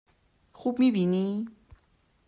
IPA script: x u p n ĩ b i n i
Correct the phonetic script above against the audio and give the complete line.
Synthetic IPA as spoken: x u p m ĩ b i n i

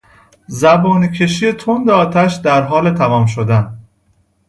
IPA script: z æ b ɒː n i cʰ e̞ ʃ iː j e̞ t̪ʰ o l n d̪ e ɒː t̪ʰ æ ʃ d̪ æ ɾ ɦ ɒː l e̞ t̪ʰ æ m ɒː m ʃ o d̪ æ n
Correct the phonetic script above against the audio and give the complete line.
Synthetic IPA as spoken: z æ b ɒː n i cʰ e̞ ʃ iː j e̞ t̪ʰ o n d̪ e ɒː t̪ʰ æ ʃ d̪ æ ɾ ɦ ɒː l e̞ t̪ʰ æ m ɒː m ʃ o d̪ æ n

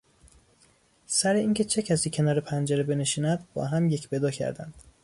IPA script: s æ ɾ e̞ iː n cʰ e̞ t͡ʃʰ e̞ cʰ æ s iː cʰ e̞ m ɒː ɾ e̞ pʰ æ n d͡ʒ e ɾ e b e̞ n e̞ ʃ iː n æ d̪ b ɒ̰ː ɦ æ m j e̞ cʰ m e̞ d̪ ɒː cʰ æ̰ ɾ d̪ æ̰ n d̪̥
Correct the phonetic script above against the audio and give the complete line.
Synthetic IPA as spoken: s æ ɾ e̞ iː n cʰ e̞ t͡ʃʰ e̞ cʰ æ s iː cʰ e̞ n ɒː ɾ e̞ pʰ æ n d͡ʒ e ɾ e b e̞ n e̞ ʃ iː n æ d̪ b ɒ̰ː ɦ æ m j e̞ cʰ b e̞ d̪ ɒː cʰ æ̰ ɾ d̪ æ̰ n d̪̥

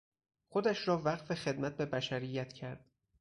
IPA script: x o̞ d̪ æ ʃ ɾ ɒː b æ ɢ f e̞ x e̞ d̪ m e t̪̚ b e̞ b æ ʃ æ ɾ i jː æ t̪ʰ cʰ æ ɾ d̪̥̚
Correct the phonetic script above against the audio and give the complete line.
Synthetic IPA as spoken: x o̞ d̪ æ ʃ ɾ ɒː v æ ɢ f e̞ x e̞ d̪ m æ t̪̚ b e̞ b æ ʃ æ ɾ i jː æ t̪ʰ cʰ æ ɾ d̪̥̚

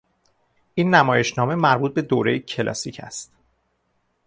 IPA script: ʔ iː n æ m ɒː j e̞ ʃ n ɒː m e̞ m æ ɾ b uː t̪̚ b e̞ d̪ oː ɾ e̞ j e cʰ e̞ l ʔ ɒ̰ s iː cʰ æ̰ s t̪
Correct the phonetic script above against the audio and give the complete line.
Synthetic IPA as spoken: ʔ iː nː æ m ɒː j e̞ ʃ n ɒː m e̞ m æ ɾ b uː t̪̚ b e̞ d̪ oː ɾ e̞ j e cʰ e̞ l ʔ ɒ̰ s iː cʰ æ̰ s t̪

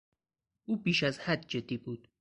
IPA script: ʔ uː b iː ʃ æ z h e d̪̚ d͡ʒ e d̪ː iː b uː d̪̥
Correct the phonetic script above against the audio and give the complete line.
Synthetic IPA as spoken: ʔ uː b iː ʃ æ z h æ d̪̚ d͡ʒ e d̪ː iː b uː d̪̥

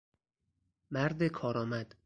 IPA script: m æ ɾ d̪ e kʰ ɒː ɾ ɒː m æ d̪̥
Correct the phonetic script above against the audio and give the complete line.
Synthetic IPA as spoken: m æ ɾ d̪ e kʰ ɒː ɾ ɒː m æ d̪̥

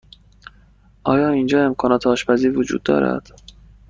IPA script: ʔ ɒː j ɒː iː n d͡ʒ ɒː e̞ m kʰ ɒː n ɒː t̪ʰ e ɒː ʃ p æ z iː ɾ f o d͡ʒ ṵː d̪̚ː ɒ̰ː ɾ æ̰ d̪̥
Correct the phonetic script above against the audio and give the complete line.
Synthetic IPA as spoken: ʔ ɒː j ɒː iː n d͡ʒ ɒː e̞ m kʰ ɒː n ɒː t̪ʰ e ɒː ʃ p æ z iː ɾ v o d͡ʒ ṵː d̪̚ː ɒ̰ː ɾ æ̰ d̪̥

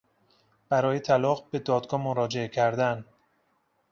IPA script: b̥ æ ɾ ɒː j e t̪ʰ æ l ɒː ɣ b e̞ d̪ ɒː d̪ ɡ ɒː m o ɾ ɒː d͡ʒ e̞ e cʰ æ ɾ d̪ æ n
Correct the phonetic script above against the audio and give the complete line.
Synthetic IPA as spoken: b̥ æ ɾ ɒː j e t̪ʰ æ l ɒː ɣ b e̞ d̪ ɒː d̪ ɡ ɒː m o ɾ ɒː d͡ʒ e̞ e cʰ æ ɾ d̪ æ n

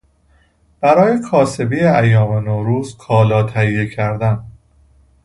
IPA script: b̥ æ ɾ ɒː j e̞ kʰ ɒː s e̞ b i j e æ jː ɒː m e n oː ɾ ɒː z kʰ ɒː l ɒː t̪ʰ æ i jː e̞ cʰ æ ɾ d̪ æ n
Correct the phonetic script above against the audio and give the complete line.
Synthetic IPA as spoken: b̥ æ ɾ ɒː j e̞ kʰ ɒː s e̞ b i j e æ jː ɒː m e n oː ɾ uː z kʰ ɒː l ɒː t̪ʰ æ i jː e̞ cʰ æ ɾ d̪ æ n

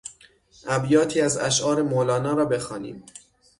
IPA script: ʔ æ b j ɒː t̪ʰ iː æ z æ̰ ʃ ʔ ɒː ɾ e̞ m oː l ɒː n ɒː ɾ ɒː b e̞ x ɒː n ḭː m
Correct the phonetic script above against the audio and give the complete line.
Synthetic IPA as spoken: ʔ æ b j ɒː t̪ʰ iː æ z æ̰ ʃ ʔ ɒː ɾ e̞ m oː l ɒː n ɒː ɾ ɒː b e̞ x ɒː n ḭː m

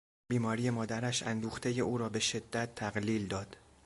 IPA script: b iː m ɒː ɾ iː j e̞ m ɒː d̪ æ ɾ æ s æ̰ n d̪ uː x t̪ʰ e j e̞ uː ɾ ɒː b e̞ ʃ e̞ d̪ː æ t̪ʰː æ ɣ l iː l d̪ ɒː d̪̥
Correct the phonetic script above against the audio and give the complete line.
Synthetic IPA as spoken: b iː m ɒː ɾ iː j e̞ m ɒː d̪ æ ɾ æ ʃ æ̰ n d̪ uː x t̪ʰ e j e̞ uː ɾ ɒː b e̞ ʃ e̞ d̪ː æ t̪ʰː æ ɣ l iː l d̪ ɒː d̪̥

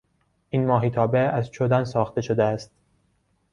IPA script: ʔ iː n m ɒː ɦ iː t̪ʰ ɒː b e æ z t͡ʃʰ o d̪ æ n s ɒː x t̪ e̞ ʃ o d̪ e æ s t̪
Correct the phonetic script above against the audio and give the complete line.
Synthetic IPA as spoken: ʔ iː n m ɒː ɦ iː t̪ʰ ɒː b e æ z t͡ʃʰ o d̪ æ n s ɒː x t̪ e̞ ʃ o d̪ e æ s t̪

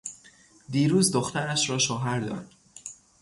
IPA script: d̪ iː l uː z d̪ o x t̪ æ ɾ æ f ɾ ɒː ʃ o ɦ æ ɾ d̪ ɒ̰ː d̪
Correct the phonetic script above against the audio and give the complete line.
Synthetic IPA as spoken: d̪ iː ɾ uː z d̪ o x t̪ æ ɾ æ ʃ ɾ ɒː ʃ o ɦ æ ɾ d̪ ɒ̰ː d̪

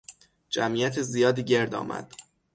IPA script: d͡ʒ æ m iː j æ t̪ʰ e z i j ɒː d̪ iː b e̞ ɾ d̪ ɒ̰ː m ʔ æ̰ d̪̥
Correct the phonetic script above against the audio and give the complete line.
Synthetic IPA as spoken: d͡ʒ æ m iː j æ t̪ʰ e z i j ɒː d̪ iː ɟ e̞ ɾ d̪ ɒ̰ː m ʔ æ̰ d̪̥

